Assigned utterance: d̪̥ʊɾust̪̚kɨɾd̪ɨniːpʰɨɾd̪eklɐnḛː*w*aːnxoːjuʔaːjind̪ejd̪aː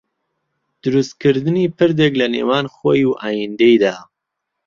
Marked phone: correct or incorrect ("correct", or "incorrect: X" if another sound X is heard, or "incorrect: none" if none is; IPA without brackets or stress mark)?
correct